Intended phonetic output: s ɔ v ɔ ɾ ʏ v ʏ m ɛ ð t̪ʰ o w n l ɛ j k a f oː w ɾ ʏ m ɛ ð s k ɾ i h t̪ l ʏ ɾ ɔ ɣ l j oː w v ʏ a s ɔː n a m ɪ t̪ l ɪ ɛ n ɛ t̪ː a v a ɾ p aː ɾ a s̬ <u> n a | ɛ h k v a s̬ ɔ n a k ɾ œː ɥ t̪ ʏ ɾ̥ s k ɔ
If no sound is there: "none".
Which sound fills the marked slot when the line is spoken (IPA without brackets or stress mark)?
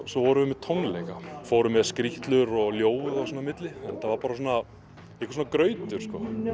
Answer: ɔ